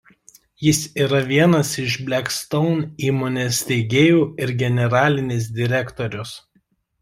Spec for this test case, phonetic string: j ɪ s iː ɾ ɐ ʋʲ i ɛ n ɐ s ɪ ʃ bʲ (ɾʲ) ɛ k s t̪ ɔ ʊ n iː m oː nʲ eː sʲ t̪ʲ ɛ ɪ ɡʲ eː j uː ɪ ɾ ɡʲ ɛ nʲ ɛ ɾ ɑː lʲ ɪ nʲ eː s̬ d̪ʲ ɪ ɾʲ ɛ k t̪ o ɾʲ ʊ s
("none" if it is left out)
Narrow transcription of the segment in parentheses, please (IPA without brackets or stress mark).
lʲ